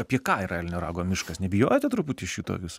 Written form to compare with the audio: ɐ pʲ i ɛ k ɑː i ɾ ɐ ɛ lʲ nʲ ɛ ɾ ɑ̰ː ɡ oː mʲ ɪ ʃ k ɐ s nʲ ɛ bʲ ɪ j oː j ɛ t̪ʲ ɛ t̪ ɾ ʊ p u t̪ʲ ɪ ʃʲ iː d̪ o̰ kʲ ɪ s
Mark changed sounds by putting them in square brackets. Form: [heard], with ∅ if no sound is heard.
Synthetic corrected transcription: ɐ pʲ i ɛ k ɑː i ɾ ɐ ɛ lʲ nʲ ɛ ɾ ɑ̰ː ɡ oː mʲ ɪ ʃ k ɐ s nʲ ɛ bʲ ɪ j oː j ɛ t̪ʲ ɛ t̪ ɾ ʊ p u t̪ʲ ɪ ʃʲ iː [t̪] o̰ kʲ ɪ s